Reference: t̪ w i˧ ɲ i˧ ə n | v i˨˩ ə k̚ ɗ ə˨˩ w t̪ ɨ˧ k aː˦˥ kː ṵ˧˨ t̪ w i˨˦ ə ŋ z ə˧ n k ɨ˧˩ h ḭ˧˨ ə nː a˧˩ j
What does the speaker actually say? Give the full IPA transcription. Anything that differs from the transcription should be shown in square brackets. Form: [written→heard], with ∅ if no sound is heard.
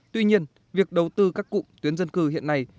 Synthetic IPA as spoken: t̪ w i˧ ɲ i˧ ə n | v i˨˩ ə k̚ ɗ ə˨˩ w t̪ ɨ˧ k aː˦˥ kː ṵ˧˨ t̪ w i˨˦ ə [ŋ→n] z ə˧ n k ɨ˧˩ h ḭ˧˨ ə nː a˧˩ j